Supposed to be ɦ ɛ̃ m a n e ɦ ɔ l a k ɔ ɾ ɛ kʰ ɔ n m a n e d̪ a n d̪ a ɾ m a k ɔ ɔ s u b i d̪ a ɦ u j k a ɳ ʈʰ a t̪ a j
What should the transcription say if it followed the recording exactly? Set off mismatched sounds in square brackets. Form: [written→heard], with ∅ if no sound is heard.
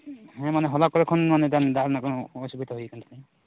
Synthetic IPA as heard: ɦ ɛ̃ m a n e ɦ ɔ l a k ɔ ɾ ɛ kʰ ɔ n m a n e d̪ a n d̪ a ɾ [m→n] a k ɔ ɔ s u b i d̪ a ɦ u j k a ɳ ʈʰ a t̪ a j